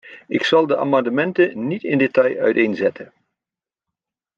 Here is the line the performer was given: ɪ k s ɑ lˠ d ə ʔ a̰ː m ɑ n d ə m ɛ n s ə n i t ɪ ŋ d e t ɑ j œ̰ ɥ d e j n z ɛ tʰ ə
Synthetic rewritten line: ɪ k s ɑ lˠ d ə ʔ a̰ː m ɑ n d ə m ɛ n t ə n i t ɪ n d e t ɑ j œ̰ ɥ t e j n z ɛ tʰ ə